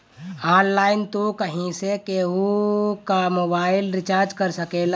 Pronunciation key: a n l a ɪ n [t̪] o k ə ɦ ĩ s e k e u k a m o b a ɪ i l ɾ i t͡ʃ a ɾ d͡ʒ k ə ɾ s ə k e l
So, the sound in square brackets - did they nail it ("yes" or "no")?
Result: yes